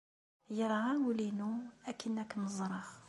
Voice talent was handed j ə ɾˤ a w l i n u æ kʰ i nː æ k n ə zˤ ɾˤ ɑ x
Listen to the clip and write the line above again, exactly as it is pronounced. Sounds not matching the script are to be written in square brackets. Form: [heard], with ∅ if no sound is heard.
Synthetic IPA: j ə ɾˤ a w l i n u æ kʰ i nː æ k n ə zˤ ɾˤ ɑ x

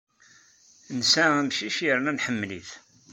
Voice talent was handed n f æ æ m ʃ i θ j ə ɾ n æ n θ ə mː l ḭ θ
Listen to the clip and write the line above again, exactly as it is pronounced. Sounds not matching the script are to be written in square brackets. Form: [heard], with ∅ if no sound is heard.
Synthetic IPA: n [s] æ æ m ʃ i [ʃ] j ə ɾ n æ n [ħ] ə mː l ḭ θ

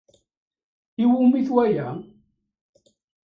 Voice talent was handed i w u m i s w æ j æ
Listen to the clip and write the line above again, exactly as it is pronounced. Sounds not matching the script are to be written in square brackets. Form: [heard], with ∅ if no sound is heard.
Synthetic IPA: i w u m i [θ] w æ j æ

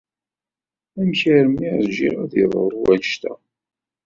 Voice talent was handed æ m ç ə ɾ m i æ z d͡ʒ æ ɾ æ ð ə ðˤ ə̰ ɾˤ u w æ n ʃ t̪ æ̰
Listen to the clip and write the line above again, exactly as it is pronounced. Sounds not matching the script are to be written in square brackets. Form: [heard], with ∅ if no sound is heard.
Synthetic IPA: æ m ç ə ɾ m i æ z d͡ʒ [i] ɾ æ ð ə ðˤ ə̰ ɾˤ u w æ n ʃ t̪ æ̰

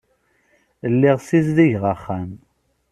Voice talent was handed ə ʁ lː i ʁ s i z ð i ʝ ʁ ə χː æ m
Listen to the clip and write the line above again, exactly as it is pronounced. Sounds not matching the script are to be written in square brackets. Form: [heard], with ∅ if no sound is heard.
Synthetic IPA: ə [∅] lː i ʁ s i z ð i ʝ ʁ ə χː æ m

